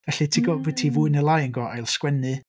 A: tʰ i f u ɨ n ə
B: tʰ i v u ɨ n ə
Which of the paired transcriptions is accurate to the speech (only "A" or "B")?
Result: B